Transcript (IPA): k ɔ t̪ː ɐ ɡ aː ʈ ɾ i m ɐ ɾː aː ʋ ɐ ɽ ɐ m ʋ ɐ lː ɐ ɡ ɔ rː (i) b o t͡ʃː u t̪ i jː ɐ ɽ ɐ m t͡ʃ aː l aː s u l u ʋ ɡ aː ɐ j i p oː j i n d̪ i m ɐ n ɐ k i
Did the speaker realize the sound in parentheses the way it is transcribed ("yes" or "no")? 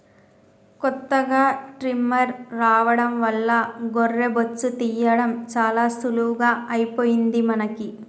no